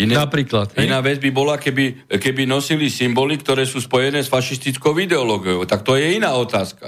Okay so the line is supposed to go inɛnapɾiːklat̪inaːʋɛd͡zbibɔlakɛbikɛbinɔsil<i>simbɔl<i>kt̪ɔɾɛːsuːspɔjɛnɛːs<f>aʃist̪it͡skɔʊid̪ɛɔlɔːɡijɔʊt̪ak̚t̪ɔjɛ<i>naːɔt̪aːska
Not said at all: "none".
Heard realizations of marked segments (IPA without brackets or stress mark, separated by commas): i, i, f, i